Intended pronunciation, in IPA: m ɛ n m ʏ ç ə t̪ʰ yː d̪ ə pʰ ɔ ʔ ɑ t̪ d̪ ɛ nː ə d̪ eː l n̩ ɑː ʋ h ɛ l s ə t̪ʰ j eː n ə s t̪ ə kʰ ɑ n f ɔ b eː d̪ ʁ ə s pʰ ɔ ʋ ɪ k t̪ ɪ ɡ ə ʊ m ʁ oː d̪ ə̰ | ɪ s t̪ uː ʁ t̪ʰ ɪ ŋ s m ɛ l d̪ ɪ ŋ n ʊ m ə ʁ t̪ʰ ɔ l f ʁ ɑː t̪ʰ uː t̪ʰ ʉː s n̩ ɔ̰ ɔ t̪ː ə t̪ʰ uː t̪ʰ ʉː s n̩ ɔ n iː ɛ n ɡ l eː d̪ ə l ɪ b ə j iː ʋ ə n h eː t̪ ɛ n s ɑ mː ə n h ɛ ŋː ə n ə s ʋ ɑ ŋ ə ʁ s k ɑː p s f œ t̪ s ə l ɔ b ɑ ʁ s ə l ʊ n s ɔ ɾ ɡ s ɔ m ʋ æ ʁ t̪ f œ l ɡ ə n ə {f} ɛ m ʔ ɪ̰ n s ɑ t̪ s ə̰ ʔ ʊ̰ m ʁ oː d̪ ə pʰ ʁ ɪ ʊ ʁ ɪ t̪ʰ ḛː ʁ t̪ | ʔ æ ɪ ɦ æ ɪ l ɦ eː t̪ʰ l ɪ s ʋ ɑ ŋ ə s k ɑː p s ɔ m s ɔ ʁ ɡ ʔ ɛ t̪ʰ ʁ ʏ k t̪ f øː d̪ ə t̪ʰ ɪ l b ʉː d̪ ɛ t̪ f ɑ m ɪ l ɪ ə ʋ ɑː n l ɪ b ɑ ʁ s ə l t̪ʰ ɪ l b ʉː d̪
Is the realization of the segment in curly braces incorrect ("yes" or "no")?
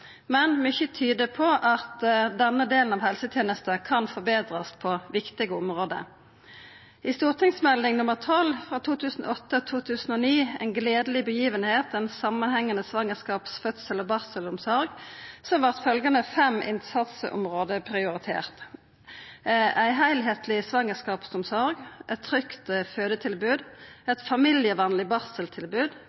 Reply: no